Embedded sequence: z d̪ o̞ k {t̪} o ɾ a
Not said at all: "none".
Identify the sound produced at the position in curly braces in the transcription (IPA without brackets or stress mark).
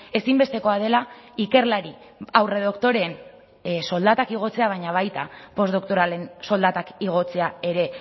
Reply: t̪